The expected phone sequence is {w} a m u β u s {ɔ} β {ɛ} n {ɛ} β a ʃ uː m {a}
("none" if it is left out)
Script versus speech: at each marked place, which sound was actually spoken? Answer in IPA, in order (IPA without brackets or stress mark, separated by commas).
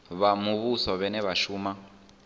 β, ɔ, ɛ, ɛ, a